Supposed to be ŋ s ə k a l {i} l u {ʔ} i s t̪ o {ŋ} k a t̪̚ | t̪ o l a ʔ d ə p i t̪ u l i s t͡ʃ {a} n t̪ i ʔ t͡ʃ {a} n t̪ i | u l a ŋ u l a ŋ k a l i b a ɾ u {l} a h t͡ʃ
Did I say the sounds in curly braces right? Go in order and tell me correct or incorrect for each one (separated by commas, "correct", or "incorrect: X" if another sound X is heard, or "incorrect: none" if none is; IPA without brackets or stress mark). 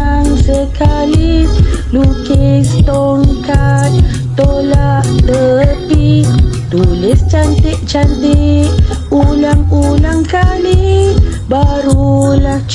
correct, incorrect: k, correct, correct, correct, correct